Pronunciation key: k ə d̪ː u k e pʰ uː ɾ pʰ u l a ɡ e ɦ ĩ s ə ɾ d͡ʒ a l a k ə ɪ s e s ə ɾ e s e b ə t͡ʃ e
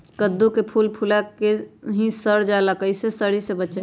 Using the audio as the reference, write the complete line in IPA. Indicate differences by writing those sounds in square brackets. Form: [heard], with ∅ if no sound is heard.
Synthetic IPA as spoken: k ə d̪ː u k e pʰ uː [l] pʰ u l a [k] e ɦ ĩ s ə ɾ d͡ʒ a l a k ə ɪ s e s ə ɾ [i] s e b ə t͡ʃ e